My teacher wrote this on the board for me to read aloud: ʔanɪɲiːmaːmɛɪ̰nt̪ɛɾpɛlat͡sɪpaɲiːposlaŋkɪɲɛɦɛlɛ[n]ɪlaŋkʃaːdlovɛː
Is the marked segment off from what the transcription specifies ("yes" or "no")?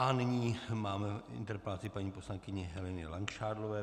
no